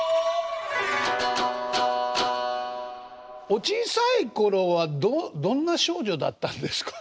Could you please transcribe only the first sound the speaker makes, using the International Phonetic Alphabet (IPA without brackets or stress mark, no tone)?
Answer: o̞